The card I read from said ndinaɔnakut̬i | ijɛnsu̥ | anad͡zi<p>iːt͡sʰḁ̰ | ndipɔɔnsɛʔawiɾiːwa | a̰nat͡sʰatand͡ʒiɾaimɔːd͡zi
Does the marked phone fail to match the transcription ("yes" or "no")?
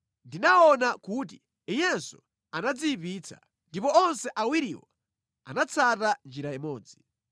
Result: no